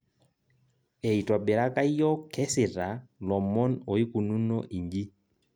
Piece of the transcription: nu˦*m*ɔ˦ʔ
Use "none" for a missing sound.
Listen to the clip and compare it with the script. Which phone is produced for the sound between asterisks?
n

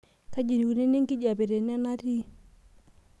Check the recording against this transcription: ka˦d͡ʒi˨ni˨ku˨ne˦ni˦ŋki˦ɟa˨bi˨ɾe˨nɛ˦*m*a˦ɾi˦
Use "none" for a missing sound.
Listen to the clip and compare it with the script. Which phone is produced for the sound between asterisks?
n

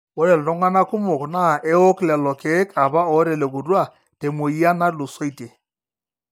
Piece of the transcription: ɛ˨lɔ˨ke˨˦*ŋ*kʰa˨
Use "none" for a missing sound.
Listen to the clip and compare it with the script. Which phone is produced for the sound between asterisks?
none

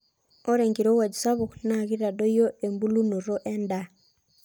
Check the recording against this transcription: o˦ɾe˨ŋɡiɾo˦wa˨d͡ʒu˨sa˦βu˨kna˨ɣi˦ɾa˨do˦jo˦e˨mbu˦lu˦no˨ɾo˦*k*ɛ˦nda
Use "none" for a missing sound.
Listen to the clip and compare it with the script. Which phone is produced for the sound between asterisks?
ʔ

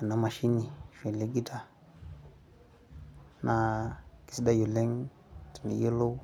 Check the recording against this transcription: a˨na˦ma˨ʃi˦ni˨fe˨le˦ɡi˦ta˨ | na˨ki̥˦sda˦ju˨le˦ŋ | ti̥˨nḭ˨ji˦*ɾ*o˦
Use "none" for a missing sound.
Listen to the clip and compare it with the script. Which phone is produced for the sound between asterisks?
l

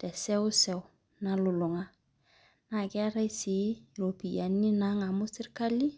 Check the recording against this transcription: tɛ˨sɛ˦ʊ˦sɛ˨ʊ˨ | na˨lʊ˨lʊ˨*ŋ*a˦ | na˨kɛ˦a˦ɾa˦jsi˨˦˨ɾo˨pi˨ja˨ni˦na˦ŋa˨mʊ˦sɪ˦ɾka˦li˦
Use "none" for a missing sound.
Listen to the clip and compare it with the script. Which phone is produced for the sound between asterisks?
ŋ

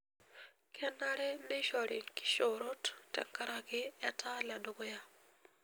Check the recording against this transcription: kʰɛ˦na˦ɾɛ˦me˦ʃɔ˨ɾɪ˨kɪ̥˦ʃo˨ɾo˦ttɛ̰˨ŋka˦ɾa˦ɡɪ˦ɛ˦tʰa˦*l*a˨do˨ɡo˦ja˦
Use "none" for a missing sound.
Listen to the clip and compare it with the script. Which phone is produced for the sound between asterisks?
l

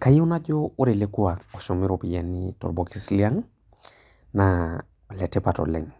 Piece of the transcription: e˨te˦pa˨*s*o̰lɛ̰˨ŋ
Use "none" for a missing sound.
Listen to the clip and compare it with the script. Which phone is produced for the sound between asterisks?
t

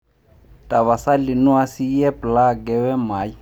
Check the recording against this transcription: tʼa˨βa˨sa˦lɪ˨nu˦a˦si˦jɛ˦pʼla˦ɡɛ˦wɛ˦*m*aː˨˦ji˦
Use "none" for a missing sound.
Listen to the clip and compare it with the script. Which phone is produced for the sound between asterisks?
m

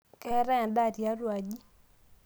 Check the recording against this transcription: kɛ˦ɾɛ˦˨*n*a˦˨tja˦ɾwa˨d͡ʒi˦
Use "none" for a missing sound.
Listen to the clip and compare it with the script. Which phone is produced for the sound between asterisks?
d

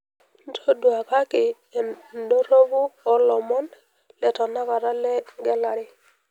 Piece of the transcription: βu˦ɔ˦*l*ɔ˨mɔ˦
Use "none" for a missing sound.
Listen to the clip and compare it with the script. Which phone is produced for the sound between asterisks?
l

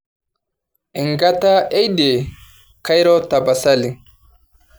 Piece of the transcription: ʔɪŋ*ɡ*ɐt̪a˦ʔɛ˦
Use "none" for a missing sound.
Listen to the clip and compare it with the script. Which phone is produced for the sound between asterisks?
ɡ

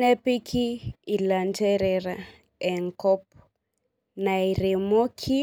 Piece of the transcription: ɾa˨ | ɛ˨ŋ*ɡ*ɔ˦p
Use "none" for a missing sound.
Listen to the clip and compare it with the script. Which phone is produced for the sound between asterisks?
k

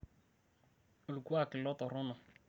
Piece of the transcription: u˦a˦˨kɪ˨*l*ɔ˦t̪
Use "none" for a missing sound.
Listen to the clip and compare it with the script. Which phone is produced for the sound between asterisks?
l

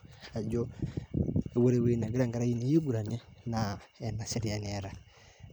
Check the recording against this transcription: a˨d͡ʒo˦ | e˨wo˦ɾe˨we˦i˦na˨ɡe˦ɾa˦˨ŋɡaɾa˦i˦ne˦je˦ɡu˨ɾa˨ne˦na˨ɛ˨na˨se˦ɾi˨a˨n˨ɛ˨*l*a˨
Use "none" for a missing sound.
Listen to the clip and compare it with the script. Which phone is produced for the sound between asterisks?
ɾ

